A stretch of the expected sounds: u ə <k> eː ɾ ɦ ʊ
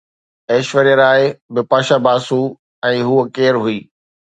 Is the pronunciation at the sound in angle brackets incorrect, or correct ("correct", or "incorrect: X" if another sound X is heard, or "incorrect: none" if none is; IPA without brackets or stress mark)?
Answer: correct